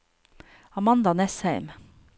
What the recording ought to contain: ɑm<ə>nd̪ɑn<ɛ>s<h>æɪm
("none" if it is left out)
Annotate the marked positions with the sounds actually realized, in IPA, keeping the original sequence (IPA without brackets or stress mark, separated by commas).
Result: ɑ, ɛ, h